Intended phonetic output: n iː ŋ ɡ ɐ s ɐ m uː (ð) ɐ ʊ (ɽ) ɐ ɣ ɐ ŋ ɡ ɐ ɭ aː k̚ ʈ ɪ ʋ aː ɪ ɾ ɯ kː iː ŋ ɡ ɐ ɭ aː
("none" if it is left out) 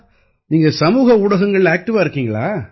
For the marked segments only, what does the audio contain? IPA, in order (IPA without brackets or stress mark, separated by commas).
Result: ɣ, ɽ